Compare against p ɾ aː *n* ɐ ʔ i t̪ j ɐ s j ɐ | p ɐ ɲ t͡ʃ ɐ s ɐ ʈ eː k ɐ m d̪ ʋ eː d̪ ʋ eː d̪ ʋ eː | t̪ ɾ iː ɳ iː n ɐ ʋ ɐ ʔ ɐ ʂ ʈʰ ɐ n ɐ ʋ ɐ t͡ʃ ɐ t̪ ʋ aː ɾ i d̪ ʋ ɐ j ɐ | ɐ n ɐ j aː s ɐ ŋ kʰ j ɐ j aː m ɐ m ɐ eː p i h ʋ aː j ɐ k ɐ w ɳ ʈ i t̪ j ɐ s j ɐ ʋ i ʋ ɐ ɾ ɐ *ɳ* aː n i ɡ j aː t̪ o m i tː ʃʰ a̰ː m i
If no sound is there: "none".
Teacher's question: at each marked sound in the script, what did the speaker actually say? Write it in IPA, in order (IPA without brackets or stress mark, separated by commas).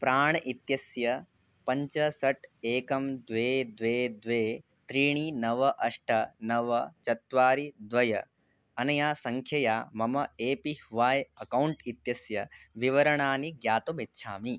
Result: ɳ, ɳ